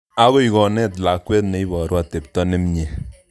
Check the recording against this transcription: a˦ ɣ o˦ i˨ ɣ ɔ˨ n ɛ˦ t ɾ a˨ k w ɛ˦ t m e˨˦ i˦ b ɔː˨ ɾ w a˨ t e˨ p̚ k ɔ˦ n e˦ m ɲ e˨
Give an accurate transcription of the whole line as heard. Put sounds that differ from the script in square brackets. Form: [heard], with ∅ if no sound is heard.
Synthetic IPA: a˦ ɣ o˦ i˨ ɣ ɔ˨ n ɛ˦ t [l] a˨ k w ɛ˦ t [n] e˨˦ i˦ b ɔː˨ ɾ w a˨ t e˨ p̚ [t] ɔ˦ n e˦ m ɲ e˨